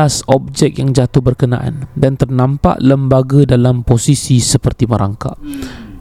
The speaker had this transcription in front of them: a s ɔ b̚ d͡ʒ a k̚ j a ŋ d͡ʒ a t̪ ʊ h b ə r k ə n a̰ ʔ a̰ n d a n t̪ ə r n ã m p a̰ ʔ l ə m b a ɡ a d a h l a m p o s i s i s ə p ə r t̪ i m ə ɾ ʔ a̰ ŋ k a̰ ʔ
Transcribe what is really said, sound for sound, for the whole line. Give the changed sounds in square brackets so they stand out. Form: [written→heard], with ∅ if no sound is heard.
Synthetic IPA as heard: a s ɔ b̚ d͡ʒ [a→ɛ] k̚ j a ŋ d͡ʒ a t̪ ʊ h b ə r k ə n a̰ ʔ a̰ n d a n t̪ ə r n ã m p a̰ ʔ l ə m b a ɡ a d a [h→∅] l a m p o s i s i s ə p ə r t̪ i m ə ɾ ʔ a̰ ŋ k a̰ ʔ